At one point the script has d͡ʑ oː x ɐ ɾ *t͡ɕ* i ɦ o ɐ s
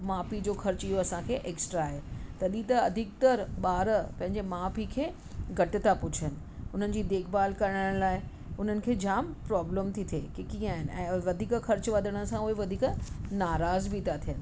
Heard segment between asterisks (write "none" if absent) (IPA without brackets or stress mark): t͡ɕ